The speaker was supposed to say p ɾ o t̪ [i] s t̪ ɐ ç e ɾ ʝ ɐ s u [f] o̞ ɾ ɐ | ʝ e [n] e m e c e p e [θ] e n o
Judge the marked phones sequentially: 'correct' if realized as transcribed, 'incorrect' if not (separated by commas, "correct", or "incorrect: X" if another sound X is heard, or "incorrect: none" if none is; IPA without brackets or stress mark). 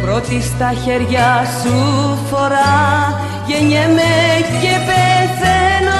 correct, correct, incorrect: ɲ, correct